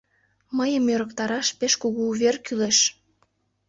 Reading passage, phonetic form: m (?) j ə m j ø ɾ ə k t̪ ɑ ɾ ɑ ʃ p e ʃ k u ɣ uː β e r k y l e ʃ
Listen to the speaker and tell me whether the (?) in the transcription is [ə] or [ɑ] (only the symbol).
ə